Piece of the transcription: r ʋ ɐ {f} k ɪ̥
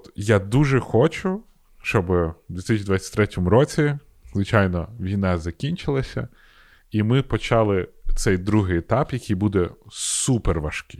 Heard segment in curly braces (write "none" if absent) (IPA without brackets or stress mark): ʃ